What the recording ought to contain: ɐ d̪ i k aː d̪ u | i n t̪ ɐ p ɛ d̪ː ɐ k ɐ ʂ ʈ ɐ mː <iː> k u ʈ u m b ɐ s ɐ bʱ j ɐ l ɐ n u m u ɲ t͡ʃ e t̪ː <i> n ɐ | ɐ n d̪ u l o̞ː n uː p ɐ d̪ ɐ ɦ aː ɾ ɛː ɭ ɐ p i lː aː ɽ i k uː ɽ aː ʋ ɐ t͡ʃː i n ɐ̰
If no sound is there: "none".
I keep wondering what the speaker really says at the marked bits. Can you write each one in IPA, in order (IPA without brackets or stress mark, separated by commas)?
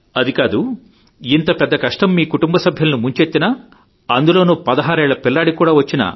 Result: iː, i